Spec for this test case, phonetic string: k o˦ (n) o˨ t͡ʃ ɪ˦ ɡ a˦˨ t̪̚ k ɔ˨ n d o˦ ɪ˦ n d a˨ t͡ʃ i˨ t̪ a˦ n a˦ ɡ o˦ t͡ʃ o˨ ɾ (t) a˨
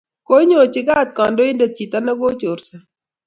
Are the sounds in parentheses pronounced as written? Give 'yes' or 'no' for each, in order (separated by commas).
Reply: no, no